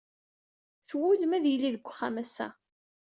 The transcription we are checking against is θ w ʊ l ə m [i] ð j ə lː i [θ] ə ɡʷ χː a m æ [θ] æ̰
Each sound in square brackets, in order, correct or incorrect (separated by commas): incorrect, incorrect, incorrect